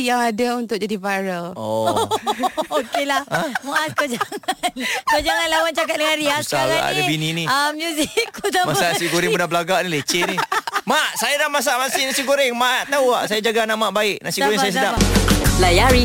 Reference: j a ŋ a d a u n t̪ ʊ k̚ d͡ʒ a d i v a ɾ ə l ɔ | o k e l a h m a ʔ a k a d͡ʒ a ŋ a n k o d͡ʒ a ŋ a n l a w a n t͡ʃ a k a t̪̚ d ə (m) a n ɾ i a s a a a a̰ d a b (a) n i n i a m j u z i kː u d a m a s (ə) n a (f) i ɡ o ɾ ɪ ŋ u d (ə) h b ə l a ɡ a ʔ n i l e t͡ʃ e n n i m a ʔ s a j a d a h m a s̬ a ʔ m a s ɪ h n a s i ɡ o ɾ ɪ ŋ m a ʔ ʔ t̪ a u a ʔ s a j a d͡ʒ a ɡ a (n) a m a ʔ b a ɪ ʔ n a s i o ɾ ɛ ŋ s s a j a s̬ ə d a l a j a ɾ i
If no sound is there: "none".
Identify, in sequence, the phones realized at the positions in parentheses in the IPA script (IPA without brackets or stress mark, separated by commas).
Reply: ŋ, i, a, s, a, n